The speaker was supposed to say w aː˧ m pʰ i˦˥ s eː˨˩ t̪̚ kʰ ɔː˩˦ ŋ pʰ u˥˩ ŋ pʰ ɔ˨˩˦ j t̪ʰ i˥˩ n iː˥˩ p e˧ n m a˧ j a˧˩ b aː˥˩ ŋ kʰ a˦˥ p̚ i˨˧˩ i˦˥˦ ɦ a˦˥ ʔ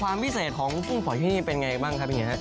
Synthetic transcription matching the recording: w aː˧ m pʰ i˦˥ s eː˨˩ t̪̚ kʰ ɔː˩˦ ŋ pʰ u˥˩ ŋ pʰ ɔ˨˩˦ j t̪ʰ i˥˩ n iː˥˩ p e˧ n ŋ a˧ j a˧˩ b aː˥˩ ŋ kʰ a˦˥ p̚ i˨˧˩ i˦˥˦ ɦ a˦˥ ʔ